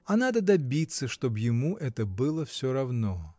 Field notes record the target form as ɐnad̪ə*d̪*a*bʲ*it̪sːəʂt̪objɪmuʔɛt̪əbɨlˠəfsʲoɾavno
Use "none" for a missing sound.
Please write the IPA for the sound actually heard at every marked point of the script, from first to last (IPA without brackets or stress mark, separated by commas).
d̪, bʲ